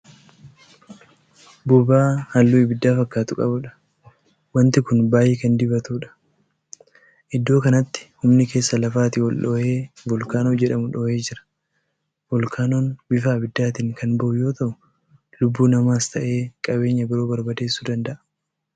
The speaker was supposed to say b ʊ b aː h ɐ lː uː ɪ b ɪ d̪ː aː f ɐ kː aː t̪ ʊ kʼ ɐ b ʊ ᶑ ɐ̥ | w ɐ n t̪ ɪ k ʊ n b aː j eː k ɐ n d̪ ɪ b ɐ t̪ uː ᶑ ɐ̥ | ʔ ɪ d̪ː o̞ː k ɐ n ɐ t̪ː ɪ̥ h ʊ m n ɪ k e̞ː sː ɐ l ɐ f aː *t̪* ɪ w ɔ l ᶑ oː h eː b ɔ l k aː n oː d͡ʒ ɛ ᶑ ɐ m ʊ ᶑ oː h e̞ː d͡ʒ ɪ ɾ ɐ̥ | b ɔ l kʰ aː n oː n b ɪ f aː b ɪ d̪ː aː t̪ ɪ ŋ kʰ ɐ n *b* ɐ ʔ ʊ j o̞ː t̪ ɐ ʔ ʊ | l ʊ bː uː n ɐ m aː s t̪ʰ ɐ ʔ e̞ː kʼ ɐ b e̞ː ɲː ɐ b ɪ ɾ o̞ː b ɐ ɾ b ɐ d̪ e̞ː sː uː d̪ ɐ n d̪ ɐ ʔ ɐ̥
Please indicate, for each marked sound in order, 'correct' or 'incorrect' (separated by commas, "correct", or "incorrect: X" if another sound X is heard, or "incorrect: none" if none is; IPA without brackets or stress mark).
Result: correct, correct